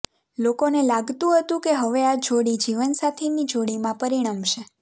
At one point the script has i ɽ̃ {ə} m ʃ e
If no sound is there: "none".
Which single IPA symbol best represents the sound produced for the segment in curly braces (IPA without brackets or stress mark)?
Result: a